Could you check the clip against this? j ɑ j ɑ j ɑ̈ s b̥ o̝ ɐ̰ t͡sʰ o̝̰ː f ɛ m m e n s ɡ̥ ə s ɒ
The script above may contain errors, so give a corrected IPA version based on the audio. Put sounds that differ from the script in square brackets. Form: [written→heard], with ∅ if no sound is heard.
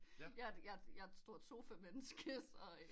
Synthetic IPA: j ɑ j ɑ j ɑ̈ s [b̥→d̥] o̝ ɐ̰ t͡sʰ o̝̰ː f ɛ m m e n s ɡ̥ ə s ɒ